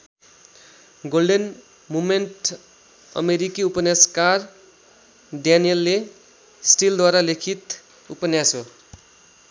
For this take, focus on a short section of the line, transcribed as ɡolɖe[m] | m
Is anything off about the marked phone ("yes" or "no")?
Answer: yes